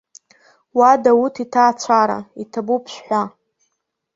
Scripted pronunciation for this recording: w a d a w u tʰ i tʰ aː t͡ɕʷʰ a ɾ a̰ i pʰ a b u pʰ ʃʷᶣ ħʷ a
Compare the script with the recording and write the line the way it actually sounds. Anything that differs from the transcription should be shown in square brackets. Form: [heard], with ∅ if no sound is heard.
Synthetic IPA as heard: w a d a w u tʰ i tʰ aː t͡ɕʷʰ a ɾ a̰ i [tʰ] a b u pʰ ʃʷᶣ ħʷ a